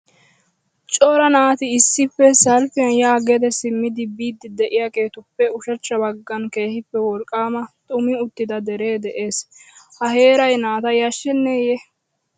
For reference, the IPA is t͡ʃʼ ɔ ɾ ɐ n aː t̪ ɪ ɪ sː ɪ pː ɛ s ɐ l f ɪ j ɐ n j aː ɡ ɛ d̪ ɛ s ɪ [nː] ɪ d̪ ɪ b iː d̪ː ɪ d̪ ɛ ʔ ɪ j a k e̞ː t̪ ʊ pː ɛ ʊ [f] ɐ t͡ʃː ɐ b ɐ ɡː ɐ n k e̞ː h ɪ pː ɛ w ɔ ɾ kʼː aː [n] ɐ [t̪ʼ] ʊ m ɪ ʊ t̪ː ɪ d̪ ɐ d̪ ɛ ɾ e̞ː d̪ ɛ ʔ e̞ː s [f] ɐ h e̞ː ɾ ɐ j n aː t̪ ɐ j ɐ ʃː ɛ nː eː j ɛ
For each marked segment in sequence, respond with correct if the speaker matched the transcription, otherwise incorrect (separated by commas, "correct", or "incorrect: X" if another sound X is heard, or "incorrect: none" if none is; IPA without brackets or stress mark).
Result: incorrect: mː, incorrect: ʃ, incorrect: m, correct, incorrect: h